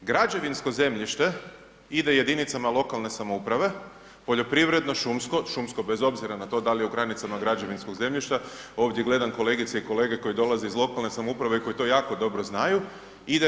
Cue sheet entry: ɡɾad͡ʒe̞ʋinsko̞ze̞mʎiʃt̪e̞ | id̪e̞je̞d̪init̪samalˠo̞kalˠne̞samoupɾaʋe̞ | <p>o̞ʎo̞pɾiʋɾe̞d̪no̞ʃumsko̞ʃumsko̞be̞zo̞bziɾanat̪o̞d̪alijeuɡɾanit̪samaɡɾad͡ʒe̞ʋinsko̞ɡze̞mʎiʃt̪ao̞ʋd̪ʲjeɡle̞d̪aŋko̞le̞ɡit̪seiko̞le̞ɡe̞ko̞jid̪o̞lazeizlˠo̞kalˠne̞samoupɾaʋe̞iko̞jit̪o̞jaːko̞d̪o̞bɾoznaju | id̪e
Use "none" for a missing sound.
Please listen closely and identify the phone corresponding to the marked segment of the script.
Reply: p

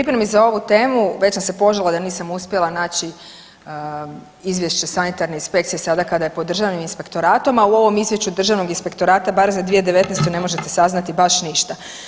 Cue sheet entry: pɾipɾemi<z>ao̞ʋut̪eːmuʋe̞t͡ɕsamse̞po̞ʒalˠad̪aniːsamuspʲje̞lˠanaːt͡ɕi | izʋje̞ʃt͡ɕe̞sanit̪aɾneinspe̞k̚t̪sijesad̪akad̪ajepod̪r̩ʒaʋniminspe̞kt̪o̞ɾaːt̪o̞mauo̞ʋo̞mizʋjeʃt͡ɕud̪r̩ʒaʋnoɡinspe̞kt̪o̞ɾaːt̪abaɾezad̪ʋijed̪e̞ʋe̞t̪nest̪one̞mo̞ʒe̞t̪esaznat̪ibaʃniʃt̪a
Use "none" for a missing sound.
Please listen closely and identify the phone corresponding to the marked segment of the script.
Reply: z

